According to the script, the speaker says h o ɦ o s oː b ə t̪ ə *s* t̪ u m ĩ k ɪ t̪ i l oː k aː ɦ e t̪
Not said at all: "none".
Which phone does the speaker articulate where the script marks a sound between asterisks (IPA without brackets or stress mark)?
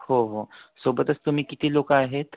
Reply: s